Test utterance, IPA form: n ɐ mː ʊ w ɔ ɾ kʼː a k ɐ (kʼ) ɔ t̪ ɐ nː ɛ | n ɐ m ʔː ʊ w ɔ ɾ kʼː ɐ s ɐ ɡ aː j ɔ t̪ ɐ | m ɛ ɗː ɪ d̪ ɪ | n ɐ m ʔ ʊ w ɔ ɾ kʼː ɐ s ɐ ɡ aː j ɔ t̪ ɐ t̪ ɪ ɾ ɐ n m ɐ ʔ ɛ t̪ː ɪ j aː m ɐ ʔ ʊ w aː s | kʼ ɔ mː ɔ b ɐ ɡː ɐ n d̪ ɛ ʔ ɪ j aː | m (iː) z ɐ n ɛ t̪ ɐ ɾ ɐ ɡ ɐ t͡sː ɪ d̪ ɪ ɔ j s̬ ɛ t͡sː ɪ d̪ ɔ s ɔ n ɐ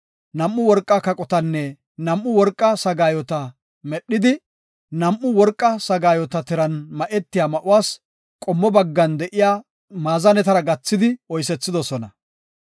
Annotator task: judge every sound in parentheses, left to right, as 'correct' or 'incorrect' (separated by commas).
correct, incorrect